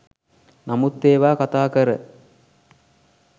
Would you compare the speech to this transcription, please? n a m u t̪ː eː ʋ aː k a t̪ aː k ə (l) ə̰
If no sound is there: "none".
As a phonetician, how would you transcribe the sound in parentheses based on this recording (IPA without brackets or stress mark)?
ɾ